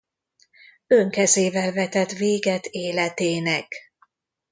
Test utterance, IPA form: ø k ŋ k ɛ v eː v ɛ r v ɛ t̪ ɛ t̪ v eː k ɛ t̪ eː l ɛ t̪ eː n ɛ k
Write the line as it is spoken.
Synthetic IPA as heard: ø ŋ k ɛ z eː v ɛ l v ɛ t̪ ɛ t̪ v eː ɡ ɛ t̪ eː l ɛ t̪ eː n ɛ k